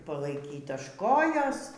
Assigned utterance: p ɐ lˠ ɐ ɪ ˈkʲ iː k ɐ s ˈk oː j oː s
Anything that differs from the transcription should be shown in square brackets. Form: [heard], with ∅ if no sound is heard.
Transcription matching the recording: p ɐ lˠ ɐ ɪ ˈkʲ iː [t] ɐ [ʃ] ˈk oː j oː s

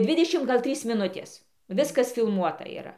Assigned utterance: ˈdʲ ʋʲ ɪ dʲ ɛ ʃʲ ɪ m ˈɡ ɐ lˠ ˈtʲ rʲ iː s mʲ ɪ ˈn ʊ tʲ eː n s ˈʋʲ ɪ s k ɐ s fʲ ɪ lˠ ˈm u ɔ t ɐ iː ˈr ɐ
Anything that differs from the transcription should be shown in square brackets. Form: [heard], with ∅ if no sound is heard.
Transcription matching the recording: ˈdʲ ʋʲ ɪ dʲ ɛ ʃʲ ɪ m ˈɡ ɐ lˠ ˈtʲ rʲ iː s mʲ ɪ ˈn ʊ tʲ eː [∅] s ˈʋʲ ɪ s k ɐ s fʲ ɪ lˠ ˈm u ɔ t ɐ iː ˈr ɐ

